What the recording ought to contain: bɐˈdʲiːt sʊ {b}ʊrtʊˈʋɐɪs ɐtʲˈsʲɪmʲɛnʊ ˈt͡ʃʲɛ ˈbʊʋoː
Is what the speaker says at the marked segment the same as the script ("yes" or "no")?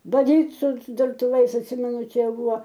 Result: no